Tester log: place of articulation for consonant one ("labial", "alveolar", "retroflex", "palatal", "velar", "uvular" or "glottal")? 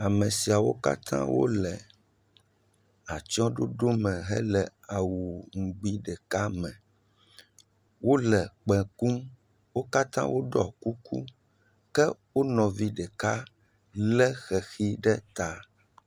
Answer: labial